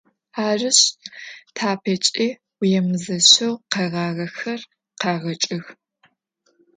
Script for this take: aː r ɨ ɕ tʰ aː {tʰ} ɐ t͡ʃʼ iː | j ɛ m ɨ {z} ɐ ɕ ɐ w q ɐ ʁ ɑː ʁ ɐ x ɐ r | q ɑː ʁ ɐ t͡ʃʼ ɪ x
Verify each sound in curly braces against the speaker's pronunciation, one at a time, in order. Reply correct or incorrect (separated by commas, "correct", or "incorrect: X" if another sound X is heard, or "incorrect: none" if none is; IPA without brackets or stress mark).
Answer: incorrect: pʰ, correct